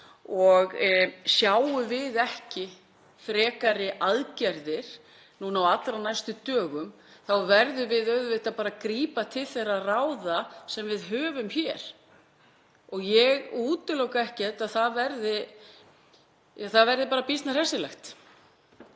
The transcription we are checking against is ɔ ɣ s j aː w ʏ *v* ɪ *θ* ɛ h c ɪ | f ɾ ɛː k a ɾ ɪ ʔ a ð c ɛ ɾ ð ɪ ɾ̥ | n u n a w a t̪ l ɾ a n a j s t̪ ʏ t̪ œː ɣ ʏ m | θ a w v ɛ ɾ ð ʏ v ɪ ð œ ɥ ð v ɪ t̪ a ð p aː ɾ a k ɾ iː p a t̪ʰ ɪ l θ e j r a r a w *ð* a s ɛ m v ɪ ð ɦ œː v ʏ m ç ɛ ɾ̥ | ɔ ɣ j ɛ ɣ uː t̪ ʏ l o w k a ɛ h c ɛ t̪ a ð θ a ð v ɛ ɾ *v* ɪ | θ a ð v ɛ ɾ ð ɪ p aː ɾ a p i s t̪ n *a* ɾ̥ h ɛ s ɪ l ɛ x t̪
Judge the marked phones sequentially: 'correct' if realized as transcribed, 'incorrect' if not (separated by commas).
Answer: correct, incorrect, correct, incorrect, correct